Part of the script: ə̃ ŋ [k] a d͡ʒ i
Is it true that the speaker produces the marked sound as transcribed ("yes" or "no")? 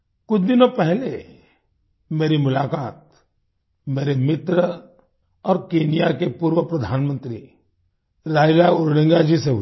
no